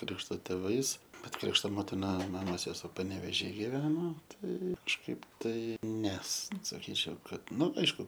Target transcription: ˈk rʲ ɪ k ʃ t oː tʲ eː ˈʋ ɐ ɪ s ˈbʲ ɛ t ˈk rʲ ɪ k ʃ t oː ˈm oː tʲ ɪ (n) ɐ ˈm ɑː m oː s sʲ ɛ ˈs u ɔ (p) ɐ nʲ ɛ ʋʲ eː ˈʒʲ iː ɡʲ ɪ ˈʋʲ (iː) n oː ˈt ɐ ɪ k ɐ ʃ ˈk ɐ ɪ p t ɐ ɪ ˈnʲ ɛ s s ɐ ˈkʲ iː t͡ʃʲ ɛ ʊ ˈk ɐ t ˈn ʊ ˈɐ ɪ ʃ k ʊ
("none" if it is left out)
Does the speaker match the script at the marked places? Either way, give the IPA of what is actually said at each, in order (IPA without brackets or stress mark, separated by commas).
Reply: n, p, æː